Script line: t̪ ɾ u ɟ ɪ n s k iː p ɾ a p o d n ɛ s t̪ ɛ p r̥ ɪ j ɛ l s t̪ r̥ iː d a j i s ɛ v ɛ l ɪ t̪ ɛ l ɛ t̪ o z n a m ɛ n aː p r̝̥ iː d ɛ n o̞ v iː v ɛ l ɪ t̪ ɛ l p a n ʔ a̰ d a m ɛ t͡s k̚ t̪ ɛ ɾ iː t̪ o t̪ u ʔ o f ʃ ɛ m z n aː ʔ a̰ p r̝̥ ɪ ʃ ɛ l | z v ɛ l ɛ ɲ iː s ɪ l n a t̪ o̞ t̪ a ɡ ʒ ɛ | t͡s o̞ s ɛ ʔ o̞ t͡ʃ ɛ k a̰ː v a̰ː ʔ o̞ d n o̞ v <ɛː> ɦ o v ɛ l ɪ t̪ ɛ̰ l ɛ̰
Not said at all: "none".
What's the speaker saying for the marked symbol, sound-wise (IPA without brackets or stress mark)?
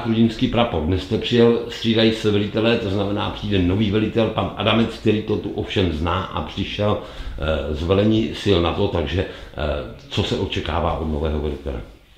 ɛː